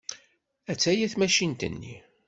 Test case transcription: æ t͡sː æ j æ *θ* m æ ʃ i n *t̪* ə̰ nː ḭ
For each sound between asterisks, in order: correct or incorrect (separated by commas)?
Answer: correct, correct